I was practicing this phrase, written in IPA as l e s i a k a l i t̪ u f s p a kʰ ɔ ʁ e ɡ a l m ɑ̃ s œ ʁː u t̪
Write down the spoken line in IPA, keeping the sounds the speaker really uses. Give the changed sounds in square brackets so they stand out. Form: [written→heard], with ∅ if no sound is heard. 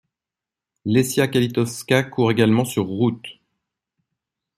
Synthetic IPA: l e s [i→j] a k a l i t̪ [u→ɔ] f s [p→k] a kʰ [ɔ→u] ʁ e ɡ a l m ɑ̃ s [œ→y] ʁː u t̪